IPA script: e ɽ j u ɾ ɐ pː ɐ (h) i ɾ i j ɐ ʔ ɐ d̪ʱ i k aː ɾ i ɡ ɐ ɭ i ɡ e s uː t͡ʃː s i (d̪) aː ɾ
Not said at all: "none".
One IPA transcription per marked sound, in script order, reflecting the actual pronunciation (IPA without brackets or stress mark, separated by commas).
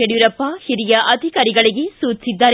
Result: h, d̪ː